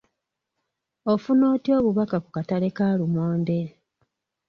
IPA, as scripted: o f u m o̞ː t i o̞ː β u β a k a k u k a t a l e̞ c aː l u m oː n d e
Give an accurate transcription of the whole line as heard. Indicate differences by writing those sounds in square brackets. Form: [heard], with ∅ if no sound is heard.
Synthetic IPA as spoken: o f u [n] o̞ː t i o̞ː β u β a k a k u k a t a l e̞ [k] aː l u m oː n d e